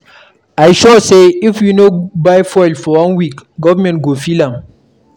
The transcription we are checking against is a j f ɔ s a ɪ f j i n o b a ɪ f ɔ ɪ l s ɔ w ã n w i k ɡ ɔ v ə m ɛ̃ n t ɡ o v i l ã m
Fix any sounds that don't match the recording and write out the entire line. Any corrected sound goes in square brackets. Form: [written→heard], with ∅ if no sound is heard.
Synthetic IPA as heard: a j [f→ʃ] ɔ s [a→e] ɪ f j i n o b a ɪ f ɔ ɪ l [s→f] ɔ w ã n w i k ɡ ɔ v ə m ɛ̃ n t ɡ o [v→f] i l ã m